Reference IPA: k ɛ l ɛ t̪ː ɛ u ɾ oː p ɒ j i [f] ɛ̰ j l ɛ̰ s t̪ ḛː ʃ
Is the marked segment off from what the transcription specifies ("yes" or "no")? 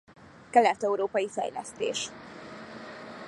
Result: no